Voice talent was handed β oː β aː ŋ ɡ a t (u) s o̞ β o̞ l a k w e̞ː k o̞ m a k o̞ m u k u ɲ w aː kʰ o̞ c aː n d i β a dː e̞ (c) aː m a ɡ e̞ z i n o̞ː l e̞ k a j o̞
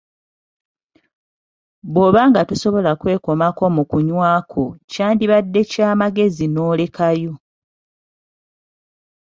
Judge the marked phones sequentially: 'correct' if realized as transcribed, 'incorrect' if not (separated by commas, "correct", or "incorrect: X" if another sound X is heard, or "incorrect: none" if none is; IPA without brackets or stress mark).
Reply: correct, correct